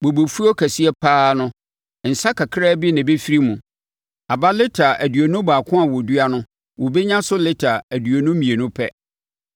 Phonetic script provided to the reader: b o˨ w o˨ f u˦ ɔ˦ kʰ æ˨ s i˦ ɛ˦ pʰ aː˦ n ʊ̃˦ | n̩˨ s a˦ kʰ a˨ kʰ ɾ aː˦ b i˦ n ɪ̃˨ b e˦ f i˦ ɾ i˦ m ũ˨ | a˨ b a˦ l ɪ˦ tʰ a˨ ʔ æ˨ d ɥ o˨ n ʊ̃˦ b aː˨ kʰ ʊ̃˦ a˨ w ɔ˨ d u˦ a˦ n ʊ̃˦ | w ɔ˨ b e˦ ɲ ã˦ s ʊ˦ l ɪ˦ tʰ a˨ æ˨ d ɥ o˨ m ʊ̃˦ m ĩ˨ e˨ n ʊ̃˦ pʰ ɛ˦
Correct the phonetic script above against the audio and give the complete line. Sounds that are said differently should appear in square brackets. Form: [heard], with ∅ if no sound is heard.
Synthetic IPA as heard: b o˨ [b] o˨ f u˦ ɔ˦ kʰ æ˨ s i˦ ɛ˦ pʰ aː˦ n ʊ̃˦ | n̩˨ s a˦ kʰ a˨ kʰ ɾ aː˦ b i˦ n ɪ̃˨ b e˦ f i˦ ɾ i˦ m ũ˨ | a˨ b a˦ l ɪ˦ tʰ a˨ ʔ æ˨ d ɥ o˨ n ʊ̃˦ b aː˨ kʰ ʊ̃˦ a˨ w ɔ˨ d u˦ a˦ n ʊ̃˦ | w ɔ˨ b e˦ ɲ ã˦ s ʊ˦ l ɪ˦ tʰ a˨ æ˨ d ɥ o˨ [n] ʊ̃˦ m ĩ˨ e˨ n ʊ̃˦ pʰ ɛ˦